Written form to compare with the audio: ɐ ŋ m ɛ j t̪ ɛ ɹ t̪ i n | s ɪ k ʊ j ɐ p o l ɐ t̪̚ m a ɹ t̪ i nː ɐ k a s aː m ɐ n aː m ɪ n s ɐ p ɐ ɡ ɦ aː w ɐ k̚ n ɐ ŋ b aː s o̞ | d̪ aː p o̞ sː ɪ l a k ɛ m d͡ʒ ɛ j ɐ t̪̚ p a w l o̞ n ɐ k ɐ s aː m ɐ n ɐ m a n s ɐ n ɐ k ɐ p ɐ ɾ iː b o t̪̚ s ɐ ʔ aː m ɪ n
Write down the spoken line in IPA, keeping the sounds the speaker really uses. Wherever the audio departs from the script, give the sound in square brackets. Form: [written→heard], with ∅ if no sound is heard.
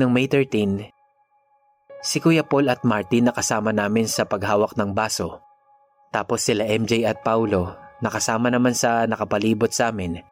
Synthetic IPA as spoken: ɐ ŋ m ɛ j t̪ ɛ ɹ t̪ i n | s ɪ k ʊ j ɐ p o l ɐ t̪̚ m a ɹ t̪ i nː ɐ k [a→ɐ] s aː m ɐ n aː m ɪ n s ɐ p ɐ ɡ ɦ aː w ɐ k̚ n ɐ ŋ b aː s o̞ | [d̪→t̪] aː p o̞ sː ɪ l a [k→ʔ] ɛ m d͡ʒ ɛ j ɐ t̪̚ p a w l o̞ n ɐ k ɐ s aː m ɐ n ɐ m a n s ɐ n ɐ k ɐ p ɐ [ɾ→l] iː b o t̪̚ s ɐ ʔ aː m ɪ n